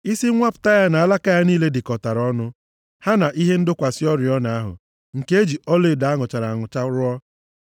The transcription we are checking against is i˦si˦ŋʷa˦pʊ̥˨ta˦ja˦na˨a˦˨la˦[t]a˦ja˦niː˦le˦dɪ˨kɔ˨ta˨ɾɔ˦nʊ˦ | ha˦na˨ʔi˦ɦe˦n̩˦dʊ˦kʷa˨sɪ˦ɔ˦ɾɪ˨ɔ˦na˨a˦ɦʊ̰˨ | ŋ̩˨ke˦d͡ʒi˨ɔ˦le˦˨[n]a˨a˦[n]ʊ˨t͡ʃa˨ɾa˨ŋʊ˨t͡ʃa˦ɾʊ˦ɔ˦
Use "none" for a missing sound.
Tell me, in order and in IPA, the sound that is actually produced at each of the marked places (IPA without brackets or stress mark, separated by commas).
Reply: k, d, ŋ